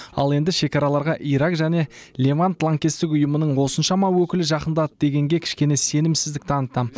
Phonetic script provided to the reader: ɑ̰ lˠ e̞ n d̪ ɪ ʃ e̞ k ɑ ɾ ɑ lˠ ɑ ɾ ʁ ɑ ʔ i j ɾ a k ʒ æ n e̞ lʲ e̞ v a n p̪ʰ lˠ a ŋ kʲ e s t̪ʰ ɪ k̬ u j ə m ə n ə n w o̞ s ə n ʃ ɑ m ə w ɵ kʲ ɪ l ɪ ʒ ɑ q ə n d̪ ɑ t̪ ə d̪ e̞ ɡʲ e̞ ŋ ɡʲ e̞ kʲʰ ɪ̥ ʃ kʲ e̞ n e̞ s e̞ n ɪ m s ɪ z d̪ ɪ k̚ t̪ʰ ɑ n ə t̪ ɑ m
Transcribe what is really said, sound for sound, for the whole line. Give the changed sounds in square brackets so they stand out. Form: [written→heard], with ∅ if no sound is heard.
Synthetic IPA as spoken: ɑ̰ lˠ e̞ n d̪ ɪ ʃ e̞ k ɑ ɾ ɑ lˠ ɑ ɾ ʁ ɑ ʔ i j ɾ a k ʒ æ n e̞ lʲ e̞ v a n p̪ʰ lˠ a ŋ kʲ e s [t̪ʰ→t̪] ɪ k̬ [u→ʊ] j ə m ə n ə [n→ɴ] w o̞ s ə n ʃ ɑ m [ə→ɑ] w ɵ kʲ ɪ l ɪ ʒ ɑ q ə n d̪ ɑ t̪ ə d̪ e̞ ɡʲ e̞ ŋ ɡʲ e̞ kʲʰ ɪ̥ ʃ kʲ e̞ n e̞ s e̞ n ɪ m s ɪ z d̪ ɪ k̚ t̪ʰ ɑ n ə t̪ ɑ m